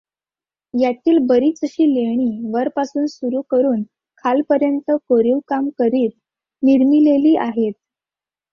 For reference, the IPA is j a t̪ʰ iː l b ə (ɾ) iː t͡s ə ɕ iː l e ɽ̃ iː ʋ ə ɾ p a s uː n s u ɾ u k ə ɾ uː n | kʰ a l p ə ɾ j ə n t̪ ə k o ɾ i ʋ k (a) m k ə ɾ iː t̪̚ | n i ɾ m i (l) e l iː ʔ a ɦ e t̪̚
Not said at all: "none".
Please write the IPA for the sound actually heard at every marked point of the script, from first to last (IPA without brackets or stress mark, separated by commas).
ɾ, a, l